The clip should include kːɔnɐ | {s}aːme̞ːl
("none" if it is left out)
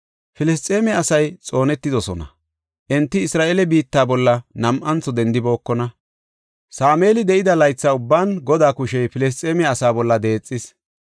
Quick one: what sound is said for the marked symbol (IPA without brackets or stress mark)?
s